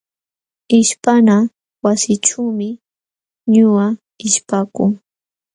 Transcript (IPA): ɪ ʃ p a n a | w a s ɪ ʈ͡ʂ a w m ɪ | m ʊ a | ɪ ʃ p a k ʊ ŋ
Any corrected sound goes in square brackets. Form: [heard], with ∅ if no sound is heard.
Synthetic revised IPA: ɪ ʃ p a n a | w a s ɪ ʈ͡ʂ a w m ɪ | [ɲ] ʊ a | ɪ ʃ p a k ʊ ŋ

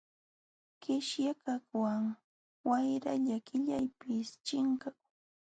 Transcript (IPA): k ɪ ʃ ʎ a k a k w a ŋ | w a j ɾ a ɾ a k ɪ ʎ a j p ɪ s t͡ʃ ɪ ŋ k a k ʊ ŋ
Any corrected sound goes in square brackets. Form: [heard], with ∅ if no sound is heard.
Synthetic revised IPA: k ɪ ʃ [j] a k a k w a ŋ | w a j ɾ a [ʎ] a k ɪ ʎ a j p ɪ s t͡ʃ ɪ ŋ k a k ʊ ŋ

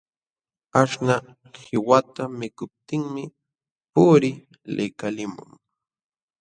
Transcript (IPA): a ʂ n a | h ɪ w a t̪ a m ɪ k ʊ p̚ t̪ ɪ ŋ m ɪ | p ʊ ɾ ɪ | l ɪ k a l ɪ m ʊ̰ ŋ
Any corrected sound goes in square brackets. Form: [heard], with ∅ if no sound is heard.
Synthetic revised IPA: a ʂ n a | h ɪ w a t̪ a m ɪ k ʊ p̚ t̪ ɪ ŋ m ɪ | p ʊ ɾ ɪ | l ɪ k a l ɪ m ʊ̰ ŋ

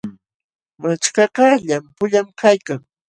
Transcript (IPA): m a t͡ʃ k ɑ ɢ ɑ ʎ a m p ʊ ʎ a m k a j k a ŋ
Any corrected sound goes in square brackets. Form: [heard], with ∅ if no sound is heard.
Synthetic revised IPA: m a t͡ʃ k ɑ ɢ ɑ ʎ a m p ʊ ʎ a m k a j k a ŋ

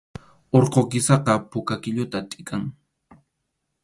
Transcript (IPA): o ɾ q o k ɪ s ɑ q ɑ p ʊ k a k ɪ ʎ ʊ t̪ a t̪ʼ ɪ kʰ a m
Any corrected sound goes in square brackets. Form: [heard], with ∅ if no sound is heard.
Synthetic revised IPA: o ɾ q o k ɪ s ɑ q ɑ p ʊ k a k ɪ ʎ ʊ t̪ a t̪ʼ ɪ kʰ a [ŋ]

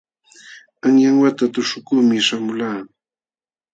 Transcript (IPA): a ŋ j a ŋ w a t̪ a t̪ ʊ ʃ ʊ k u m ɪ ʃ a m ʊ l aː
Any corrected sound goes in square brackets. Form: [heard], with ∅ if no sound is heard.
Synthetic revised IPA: a ŋ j a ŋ w a t̪ a t̪ ʊ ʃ ʊ k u m ɪ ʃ a m ʊ l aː

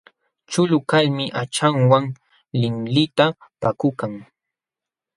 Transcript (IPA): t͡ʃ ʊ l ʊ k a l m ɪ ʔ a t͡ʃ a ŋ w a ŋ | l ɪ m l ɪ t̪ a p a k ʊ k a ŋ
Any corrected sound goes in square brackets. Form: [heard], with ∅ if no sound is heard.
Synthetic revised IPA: t͡ʃ ʊ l ʊ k a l m ɪ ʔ a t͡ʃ a ŋ w a ŋ | l ɪ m l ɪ t̪ a p a k ʊ k a ŋ

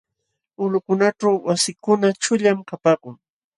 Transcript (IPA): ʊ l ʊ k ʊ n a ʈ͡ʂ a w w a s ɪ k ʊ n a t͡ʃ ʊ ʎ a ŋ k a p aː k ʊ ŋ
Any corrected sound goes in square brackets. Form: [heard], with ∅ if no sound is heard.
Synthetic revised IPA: ʊ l ʊ k ʊ n a ʈ͡ʂ a w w a s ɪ k ʊ n a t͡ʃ ʊ ʎ a [m] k a p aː k ʊ ŋ

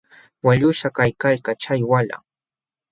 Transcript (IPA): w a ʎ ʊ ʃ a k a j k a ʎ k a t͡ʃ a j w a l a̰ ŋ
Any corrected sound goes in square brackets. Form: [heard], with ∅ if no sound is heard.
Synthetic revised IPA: w a ʎ ʊ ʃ a k a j k a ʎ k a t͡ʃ a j w a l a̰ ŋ

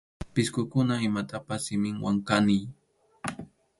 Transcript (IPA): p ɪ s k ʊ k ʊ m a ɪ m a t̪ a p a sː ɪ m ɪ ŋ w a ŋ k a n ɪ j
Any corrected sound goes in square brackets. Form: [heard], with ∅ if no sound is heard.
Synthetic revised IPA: p ɪ s k ʊ k ʊ [n] a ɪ m a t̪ a p a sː ɪ m ɪ ŋ w a ŋ k a n ɪ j

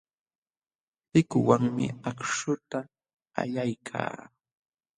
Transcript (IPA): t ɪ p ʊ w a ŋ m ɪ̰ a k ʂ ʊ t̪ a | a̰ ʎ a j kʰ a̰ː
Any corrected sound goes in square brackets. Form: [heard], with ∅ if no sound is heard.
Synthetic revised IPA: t ɪ [k] ʊ w a ŋ m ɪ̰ a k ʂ ʊ t̪ a | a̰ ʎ a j kʰ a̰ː

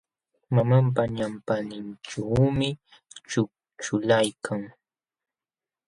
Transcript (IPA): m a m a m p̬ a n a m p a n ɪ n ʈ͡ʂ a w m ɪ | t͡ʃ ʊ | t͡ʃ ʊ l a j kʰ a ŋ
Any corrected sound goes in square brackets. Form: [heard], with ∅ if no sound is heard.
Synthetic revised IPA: m a m a m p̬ a [ɲ] a m p a n ɪ n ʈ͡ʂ a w m ɪ | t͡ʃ ʊ | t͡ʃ ʊ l a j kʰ a ŋ

